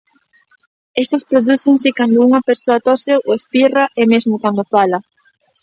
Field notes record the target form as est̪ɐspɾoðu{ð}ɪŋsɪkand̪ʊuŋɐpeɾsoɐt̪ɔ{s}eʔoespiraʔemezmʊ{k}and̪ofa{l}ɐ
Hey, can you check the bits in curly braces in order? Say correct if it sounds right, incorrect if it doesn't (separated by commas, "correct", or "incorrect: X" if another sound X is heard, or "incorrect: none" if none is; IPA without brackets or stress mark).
incorrect: θ, correct, correct, correct